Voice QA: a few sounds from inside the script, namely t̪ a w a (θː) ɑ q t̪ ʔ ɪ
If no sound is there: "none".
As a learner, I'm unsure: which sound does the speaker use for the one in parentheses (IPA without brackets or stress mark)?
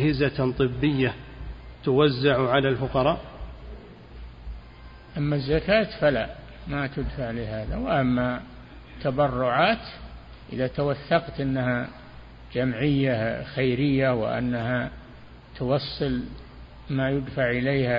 θː